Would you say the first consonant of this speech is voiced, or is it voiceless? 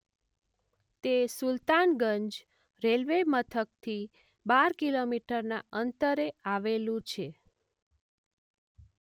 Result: voiceless